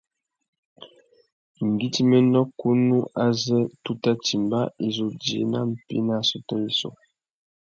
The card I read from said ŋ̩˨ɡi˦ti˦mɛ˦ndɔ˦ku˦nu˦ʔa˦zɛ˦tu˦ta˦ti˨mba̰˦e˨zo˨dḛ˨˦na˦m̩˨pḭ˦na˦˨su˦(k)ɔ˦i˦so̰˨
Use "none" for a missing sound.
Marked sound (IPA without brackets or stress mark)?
t